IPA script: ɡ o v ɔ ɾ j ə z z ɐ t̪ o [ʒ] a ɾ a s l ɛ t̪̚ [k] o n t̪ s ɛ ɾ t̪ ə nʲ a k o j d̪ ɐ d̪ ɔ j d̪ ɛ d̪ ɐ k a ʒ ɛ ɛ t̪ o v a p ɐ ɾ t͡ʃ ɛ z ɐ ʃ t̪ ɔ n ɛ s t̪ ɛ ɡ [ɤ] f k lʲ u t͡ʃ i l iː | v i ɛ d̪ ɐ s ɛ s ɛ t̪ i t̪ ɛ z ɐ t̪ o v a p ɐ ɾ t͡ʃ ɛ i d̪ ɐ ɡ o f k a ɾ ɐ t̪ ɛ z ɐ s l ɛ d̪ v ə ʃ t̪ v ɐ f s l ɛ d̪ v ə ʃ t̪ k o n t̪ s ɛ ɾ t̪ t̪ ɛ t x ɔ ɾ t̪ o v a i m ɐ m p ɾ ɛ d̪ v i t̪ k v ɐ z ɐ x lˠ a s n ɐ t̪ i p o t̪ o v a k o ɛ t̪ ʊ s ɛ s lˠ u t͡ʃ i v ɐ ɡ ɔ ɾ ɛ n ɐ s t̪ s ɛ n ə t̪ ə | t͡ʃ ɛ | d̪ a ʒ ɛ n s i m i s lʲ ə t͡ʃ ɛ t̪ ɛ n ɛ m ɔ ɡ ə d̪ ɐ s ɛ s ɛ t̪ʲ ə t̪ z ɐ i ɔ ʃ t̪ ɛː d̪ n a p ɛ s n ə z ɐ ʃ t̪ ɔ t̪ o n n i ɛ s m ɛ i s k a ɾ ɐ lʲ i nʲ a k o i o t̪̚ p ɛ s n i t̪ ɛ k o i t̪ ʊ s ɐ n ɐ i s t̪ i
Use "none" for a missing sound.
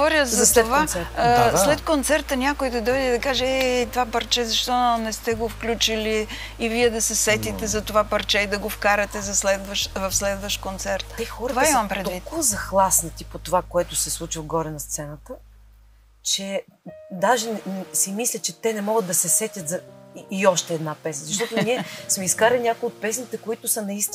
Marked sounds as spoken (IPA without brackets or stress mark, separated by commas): v, k, o